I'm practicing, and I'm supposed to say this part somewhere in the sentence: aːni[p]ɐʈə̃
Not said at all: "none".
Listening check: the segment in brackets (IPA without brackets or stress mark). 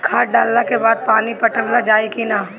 p